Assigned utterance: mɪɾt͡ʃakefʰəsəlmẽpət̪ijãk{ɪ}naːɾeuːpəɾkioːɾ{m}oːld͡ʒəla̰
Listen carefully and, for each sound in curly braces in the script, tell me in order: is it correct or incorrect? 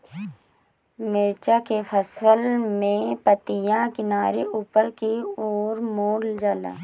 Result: correct, correct

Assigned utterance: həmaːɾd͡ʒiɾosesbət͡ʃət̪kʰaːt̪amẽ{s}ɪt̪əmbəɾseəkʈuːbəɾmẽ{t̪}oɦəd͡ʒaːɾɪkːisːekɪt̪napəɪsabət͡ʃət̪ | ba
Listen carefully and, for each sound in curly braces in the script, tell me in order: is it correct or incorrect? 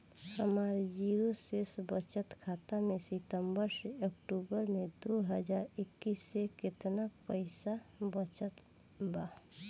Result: correct, incorrect: d̪

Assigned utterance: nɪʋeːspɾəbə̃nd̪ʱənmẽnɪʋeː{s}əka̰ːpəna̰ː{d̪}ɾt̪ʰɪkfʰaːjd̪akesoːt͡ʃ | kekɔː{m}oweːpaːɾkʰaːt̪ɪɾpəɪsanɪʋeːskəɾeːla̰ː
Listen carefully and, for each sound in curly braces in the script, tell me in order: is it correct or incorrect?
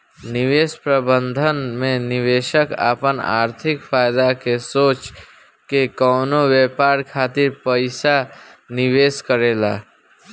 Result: incorrect: ʃ, incorrect: none, incorrect: n

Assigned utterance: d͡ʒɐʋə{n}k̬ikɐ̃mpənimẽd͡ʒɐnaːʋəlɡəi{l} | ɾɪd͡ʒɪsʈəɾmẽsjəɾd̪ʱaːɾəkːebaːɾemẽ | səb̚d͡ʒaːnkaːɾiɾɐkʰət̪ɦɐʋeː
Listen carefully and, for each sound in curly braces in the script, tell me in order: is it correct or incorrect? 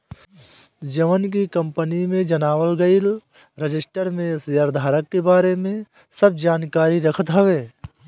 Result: correct, correct

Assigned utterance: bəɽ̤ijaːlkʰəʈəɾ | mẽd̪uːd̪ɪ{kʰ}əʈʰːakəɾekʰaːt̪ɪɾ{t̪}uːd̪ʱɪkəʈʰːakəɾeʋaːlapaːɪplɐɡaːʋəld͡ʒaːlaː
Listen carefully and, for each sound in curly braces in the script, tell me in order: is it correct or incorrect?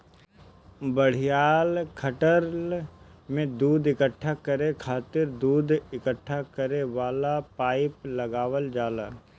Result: incorrect: k, incorrect: d̪

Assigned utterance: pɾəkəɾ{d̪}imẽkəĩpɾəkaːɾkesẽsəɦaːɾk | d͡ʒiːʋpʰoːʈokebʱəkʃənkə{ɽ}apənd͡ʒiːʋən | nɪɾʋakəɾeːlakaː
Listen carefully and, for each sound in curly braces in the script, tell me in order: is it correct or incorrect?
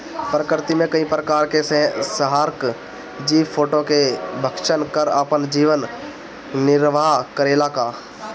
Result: incorrect: t̪, incorrect: ɾ

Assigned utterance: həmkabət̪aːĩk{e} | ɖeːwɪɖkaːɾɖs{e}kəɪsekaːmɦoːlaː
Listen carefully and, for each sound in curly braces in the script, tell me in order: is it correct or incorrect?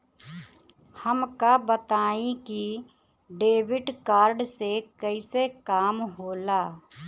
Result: incorrect: i, correct

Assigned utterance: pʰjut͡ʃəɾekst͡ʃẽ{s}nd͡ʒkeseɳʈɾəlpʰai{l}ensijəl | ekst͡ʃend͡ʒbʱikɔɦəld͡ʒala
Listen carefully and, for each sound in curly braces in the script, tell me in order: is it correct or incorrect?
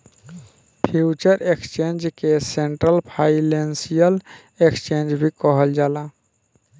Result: incorrect: none, correct

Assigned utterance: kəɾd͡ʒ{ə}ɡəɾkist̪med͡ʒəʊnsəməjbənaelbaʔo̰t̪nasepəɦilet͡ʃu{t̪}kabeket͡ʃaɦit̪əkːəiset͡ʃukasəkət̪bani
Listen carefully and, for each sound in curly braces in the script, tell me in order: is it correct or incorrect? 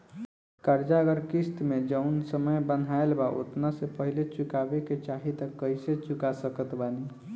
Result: incorrect: a, incorrect: none

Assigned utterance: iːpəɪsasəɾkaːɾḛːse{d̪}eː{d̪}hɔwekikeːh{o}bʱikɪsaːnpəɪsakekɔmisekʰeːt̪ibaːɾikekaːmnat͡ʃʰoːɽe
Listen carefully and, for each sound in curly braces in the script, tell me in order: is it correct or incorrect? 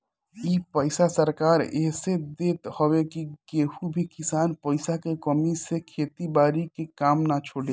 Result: correct, incorrect: t̪, incorrect: u

